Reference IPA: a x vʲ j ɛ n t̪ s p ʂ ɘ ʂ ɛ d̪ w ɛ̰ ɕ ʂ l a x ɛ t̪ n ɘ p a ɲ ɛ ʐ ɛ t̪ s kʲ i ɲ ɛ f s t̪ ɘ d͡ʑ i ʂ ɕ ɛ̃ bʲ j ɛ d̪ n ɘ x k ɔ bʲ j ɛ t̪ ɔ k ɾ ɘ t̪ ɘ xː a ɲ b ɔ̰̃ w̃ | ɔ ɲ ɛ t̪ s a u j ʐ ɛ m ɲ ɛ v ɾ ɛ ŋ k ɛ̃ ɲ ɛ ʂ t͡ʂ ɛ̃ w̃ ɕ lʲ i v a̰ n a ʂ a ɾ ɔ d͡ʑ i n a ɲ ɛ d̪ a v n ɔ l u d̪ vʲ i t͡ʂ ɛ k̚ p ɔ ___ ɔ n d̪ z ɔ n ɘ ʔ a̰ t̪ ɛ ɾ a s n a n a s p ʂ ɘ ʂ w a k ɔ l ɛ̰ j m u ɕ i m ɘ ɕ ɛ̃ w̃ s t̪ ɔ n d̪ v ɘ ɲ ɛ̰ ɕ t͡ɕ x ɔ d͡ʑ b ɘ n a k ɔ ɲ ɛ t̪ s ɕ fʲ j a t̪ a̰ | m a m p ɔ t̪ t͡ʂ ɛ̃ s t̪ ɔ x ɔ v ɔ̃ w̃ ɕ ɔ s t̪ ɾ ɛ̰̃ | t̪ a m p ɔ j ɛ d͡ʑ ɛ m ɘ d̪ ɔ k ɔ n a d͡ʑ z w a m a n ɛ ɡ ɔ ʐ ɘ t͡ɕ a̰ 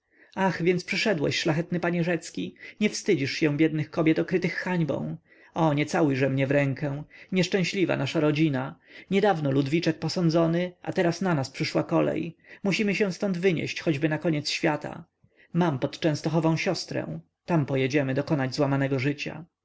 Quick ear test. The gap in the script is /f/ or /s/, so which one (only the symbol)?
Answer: s